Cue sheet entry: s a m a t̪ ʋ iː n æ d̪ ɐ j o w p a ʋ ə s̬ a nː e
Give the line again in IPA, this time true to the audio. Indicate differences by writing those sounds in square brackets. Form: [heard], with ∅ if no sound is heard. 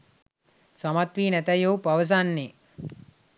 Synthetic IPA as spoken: s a m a t̪ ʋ iː n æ [t̪] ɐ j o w p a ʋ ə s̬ a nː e